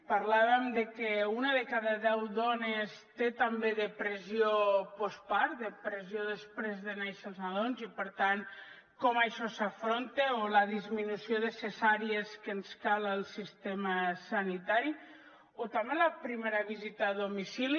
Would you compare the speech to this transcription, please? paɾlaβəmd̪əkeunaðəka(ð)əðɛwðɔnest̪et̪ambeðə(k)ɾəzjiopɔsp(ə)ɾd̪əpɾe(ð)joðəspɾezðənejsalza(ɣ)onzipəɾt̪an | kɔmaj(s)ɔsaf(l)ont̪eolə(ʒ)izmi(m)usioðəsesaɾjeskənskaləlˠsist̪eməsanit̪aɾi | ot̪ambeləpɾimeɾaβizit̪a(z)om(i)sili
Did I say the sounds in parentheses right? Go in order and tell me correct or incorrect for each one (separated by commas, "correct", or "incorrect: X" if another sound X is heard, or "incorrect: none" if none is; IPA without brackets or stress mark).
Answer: correct, incorrect: p, incorrect: a, incorrect: z, incorrect: ð, incorrect: ʃ, incorrect: ɾ, incorrect: ð, incorrect: n, incorrect: ð, correct